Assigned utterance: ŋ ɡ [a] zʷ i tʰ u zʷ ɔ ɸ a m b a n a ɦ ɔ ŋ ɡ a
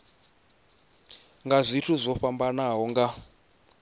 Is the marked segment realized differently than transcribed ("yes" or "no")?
no